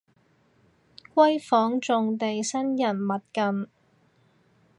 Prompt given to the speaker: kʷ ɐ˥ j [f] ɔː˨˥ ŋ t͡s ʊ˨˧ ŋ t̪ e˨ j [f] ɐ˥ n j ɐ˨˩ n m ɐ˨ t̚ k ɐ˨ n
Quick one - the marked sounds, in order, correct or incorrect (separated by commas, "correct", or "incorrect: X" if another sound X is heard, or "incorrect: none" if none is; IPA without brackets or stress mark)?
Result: correct, incorrect: s